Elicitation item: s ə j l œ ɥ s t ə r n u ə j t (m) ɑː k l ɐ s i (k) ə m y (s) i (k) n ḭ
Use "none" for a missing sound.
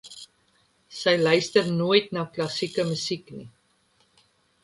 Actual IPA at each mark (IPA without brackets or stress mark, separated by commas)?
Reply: n, k, s, k